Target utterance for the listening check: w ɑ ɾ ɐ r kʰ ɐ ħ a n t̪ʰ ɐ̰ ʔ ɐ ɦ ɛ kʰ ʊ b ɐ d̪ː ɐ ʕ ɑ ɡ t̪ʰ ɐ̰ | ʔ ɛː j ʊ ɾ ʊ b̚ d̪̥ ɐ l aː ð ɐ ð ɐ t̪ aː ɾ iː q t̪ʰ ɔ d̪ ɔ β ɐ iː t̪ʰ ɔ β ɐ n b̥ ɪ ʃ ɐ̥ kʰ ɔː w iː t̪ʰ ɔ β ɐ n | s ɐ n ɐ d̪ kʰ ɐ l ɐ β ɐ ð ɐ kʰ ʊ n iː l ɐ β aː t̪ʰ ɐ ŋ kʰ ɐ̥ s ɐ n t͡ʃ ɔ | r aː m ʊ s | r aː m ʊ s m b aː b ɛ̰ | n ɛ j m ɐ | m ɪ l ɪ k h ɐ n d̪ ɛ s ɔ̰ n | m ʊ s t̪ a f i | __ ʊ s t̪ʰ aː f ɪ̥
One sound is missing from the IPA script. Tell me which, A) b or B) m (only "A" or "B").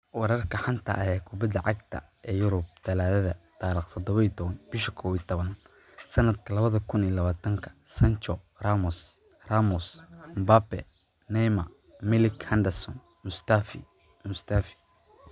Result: B